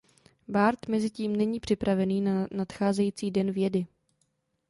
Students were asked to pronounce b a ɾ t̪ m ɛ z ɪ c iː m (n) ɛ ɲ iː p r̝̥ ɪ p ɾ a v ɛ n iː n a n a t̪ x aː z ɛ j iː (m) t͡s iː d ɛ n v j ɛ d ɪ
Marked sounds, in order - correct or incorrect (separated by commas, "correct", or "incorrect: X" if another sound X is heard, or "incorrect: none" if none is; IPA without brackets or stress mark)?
correct, incorrect: none